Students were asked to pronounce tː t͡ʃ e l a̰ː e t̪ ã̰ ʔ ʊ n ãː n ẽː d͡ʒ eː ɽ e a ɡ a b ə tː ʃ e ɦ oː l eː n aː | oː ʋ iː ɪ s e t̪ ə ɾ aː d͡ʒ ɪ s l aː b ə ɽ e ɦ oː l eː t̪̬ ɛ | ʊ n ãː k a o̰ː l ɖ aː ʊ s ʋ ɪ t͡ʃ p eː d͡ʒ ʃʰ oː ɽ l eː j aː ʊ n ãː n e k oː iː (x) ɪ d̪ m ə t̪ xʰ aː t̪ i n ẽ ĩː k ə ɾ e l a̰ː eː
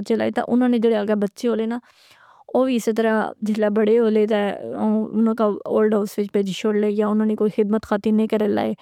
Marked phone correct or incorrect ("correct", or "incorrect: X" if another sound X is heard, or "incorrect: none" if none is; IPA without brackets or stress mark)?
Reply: correct